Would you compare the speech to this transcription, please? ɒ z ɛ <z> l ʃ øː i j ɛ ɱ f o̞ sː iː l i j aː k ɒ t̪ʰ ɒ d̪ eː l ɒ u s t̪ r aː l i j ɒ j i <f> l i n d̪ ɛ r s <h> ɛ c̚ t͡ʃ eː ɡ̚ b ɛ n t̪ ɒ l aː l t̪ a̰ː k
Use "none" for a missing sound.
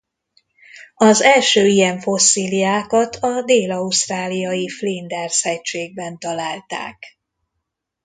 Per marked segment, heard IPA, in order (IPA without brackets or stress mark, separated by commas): none, f, h